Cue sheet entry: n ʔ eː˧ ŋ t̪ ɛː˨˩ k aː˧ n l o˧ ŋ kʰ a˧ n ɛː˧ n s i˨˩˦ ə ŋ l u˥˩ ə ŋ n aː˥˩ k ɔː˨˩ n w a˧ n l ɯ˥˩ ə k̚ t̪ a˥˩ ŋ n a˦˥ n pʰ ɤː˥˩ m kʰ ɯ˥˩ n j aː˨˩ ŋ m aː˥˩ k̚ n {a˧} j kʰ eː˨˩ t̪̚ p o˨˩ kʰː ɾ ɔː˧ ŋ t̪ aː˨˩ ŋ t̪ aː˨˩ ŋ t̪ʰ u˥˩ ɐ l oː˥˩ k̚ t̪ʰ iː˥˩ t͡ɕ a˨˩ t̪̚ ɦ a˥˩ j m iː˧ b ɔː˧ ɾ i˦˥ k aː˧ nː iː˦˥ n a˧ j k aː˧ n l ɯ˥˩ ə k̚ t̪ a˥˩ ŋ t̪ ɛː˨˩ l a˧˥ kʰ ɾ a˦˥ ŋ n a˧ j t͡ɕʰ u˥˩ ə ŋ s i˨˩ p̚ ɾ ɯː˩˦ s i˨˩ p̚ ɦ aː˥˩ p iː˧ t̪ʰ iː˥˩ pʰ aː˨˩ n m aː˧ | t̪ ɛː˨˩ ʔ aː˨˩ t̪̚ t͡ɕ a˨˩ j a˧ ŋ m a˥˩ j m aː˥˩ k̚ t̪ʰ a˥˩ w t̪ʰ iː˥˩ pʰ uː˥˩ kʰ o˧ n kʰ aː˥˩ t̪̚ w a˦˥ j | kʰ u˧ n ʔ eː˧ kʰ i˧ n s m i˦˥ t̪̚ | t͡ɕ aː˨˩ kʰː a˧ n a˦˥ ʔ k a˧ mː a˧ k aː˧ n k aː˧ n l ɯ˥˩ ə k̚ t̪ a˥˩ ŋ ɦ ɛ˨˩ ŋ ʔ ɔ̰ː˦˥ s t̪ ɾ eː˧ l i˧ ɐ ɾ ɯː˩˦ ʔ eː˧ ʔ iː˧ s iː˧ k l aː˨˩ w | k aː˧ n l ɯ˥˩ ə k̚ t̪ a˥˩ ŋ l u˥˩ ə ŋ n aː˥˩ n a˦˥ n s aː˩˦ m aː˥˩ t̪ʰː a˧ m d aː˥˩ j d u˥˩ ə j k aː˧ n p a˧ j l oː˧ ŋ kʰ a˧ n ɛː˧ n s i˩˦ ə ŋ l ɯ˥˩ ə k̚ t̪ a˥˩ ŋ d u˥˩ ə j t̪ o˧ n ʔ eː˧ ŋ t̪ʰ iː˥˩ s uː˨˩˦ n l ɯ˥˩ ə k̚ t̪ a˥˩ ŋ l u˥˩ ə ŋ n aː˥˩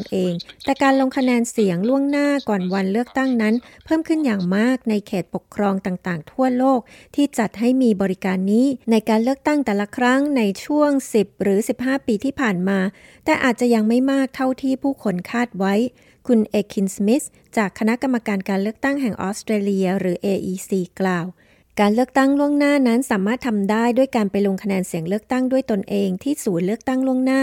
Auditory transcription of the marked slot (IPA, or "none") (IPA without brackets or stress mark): a˧